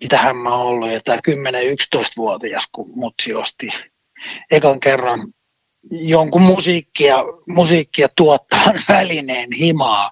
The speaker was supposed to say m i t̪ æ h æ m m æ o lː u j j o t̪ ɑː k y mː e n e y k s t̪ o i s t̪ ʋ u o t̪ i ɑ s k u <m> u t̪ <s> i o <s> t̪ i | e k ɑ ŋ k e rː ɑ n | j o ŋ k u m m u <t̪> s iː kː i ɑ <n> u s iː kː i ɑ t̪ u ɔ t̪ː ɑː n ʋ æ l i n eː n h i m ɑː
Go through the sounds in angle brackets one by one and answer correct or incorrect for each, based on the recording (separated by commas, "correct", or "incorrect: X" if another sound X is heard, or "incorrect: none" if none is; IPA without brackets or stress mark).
correct, correct, correct, incorrect: none, incorrect: m